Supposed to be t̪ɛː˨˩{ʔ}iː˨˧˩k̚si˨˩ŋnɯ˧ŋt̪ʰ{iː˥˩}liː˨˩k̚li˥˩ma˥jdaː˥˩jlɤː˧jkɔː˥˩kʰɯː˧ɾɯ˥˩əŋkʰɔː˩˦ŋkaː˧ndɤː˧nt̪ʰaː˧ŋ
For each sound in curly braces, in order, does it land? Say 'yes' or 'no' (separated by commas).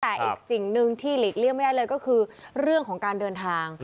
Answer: yes, yes